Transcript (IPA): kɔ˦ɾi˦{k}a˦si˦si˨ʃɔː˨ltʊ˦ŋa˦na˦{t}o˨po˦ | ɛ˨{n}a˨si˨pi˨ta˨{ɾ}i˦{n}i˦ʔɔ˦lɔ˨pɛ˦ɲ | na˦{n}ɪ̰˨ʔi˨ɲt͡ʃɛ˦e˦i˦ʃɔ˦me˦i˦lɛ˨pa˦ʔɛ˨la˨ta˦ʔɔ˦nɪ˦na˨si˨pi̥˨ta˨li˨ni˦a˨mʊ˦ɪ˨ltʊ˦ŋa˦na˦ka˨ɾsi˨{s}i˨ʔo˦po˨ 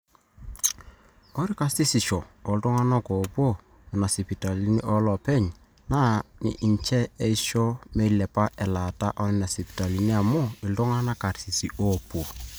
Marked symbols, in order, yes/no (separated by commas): yes, no, yes, no, yes, yes, yes